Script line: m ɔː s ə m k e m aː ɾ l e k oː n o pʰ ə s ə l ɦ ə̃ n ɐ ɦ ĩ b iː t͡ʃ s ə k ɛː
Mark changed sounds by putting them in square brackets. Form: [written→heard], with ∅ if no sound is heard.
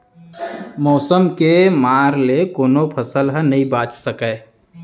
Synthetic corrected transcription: m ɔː s ə m k e m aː ɾ l e k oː n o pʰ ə s ə l ɦ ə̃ n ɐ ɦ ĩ b [iː→aː] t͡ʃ s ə k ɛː